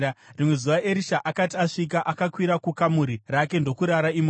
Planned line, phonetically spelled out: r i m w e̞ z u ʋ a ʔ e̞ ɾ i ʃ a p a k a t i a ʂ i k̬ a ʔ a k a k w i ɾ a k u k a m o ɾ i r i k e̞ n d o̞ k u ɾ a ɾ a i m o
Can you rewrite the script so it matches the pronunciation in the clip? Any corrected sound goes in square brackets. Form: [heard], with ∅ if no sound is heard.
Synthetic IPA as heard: r i m w e̞ z u ʋ a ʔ e̞ ɾ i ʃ a [ʔ] a k a t i a ʂ i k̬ a ʔ a k a k w i ɾ a k u k a m [u] ɾ i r [a] k e̞ n d o̞ k u ɾ a ɾ a i m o